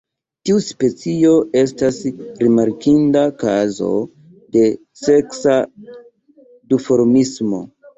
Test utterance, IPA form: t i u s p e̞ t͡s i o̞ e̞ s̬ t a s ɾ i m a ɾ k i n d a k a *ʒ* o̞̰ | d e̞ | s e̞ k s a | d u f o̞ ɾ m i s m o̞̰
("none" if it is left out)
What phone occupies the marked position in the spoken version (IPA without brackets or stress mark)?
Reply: z